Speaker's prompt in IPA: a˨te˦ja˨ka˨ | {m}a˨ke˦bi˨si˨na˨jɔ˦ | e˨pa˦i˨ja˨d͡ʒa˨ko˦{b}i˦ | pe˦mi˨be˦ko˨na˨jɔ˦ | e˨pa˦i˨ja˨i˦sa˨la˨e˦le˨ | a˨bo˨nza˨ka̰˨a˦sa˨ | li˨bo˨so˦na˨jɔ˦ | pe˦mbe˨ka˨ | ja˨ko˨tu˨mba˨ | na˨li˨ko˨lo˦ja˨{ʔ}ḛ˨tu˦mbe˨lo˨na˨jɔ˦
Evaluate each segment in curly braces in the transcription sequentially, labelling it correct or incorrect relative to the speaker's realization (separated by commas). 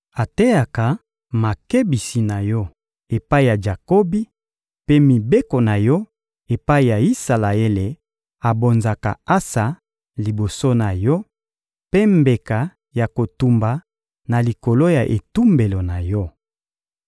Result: correct, correct, correct